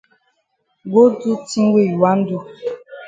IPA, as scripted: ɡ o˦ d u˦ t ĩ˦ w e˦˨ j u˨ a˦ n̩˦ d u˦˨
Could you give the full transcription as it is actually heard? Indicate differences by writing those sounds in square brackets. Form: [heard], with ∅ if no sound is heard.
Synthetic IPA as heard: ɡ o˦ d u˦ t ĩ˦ w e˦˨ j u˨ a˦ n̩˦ d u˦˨